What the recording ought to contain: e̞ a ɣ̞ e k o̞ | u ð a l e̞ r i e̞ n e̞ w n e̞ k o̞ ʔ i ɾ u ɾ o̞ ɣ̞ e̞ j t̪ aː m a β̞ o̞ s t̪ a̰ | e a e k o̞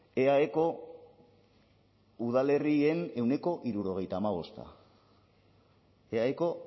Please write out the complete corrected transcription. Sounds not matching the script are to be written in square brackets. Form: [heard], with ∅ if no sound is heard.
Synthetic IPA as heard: e̞ a [∅] e k o̞ | u ð a l e̞ r i e̞ n e̞ w n e̞ k o̞ ʔ i ɾ u ɾ o̞ ɣ̞ e̞ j t̪ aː m a β̞ o̞ s t̪ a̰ | e a e k o̞

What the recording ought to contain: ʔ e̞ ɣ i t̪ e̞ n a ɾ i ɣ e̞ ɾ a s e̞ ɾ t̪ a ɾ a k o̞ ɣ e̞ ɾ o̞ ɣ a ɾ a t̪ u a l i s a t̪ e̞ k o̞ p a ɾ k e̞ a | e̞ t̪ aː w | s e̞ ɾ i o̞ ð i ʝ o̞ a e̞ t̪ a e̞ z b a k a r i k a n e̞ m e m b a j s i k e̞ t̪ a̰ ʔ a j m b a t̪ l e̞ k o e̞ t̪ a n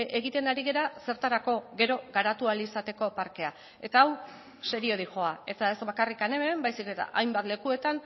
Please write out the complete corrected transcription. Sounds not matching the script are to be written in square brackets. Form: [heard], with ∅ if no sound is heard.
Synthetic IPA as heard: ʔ e̞ ɣ i t̪ e̞ n a ɾ i ɣ e̞ ɾ a s e̞ ɾ t̪ a ɾ a k o̞ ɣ e̞ ɾ o̞ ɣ a ɾ a t̪ u a l i s a t̪ e̞ k o̞ p a ɾ k e̞ a | e̞ t̪ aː w | s e̞ ɾ i o̞ ð i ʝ o̞ a e̞ t̪ a e̞ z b a k a r i k a n e̞ m e m b a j s i k e̞ t̪ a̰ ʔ a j m b a t̪ l e̞ k [u] e̞ t̪ a n

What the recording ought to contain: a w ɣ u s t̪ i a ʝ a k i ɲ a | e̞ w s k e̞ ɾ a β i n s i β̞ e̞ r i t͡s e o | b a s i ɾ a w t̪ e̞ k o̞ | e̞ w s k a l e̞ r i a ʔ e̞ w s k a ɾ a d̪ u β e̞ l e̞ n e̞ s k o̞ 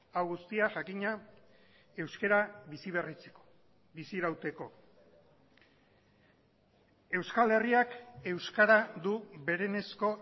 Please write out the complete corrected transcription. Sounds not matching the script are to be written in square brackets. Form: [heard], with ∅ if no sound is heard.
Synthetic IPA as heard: a w ɣ u s t̪ i a ʝ a k i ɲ a | e̞ w s k e̞ ɾ a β i [∅] s i β̞ e̞ r i t͡s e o | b [i] s i ɾ a w t̪ e̞ k o̞ | e̞ w s k a l e̞ r i a [k] e̞ w s k a ɾ a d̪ u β e̞ [ɾ] e̞ n e̞ s k o̞

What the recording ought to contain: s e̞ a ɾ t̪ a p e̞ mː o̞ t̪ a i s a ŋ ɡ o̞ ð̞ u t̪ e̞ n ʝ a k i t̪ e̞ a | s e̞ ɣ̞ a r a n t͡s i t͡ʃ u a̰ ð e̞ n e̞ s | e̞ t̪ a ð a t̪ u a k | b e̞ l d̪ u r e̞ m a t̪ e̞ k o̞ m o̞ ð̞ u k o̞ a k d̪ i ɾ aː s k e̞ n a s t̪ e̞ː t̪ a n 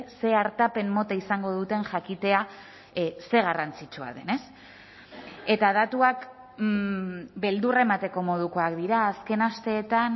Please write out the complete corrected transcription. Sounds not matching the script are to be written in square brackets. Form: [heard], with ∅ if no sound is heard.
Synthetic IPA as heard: s e̞ a ɾ t̪ a p e̞ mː o̞ t̪ a i s a ŋ ɡ o̞ ð̞ u t̪ e̞ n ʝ a k i t̪ e̞ a | s e̞ ɣ̞ a r a n t͡s i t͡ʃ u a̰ ð e̞ n e̞ s | e̞ t̪ a ð a t̪ u a k | b e̞ l d̪ u r e̞ m a t̪ e̞ k o̞ m o̞ ð̞ u k o̞ a k d̪ i ɾ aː s k e̞ n a s t̪ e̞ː t̪ a n

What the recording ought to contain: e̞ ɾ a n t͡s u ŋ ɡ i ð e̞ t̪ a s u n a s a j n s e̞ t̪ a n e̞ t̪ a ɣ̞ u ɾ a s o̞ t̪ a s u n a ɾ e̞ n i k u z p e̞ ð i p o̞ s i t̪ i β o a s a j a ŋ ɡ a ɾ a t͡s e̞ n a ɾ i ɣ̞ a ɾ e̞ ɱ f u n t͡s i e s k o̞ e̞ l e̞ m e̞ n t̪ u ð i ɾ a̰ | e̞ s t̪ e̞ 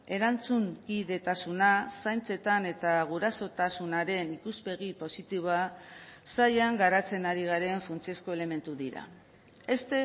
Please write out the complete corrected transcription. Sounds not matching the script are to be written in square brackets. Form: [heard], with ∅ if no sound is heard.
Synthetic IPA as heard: e̞ ɾ a n t͡s u ŋ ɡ i ð e̞ t̪ a s u n a s a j n [t͡s] e̞ t̪ a n e̞ t̪ a ɣ̞ u ɾ a s o̞ t̪ a s u n a ɾ e̞ n i k u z p e̞ [ɣ] i p o̞ s i t̪ i β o a s a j a ŋ ɡ a ɾ a t͡s e̞ n a ɾ i ɣ̞ a ɾ e̞ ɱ f u n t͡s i e s k o̞ e̞ l e̞ m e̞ n t̪ u ð i ɾ a̰ | e̞ s t̪ e̞

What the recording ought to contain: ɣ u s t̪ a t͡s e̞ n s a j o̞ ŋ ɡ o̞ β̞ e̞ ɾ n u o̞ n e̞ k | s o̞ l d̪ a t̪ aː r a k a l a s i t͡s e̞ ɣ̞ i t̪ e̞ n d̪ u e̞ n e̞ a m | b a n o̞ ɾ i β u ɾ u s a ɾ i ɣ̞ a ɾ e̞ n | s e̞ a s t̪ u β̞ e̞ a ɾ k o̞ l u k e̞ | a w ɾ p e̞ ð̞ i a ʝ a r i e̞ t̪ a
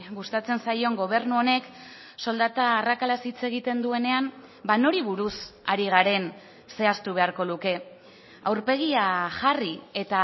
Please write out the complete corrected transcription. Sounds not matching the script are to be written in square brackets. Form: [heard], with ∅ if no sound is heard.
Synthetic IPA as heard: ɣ u s t̪ a t͡s e̞ n s a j o̞ ŋ ɡ o̞ β̞ e̞ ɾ n u o̞ n e̞ k | s o̞ l d̪ a t̪ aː r a k a l a s i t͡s e̞ ɣ̞ i t̪ e̞ n d̪ u e̞ n e̞ a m | b a n o̞ ɾ i β u ɾ u s a ɾ i ɣ̞ a ɾ e̞ n | s e̞ a s t̪ u β̞ e̞ a ɾ k o̞ l u k e̞ | a w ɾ p e̞ [ɣ̞] i a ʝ a r i e̞ t̪ a

